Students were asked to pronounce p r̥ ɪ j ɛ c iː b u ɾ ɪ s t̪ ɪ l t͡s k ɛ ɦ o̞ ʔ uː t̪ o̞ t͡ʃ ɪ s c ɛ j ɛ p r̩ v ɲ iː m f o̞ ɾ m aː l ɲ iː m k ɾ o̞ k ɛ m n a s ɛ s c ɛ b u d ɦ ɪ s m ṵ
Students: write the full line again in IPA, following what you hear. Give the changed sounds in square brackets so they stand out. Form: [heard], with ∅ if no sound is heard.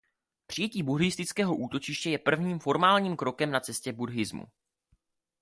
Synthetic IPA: p r̥ ɪ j ɛ c iː b u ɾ ɪ s t̪ ɪ [∅] t͡s k [ɛː] ɦ o̞ ʔ uː t̪ o̞ t͡ʃ ɪ [ʃ] c ɛ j ɛ p r̩ v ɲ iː m f o̞ ɾ m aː l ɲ iː m k ɾ o̞ k ɛ m n a [t͡s] ɛ s c ɛ b u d ɦ ɪ [z] m ṵ